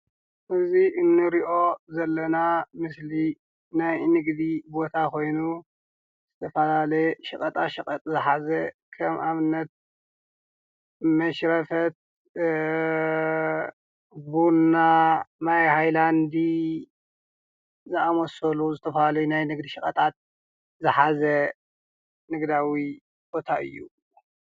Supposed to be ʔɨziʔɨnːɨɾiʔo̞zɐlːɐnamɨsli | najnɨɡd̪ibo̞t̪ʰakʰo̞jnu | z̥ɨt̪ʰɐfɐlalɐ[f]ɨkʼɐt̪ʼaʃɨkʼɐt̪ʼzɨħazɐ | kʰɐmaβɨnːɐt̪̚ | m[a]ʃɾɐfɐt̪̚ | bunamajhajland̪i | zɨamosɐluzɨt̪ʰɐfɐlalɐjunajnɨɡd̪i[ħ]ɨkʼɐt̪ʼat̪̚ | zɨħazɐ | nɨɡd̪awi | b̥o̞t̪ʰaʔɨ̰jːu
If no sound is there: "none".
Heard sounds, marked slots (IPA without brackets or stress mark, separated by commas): ʃ, ɐ, ʃ